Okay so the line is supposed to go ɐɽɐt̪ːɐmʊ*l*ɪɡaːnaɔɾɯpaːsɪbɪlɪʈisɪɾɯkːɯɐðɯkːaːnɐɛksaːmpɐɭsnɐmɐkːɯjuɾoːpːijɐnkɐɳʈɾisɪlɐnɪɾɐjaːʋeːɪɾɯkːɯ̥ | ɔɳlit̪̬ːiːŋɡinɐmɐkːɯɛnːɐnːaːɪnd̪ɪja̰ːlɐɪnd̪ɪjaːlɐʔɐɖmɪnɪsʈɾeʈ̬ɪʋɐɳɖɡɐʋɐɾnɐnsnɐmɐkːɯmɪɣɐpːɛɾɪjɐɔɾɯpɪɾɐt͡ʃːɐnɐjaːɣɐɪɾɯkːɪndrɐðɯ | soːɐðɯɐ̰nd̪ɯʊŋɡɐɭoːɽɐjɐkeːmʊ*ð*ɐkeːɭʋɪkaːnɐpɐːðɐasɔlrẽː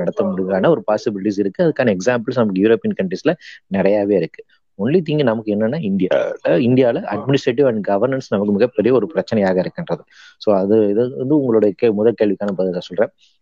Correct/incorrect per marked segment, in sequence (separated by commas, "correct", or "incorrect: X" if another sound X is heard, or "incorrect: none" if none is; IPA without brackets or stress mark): incorrect: ɽ, correct